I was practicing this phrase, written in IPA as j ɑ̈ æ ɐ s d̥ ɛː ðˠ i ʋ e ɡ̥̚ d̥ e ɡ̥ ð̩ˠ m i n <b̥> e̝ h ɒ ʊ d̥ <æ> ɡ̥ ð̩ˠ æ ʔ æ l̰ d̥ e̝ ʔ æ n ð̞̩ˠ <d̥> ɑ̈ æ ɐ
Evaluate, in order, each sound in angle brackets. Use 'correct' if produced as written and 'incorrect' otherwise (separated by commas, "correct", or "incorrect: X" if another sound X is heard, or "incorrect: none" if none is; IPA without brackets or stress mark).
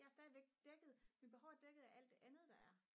correct, incorrect: e, correct